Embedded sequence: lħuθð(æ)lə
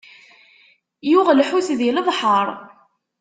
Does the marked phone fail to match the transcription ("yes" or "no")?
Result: yes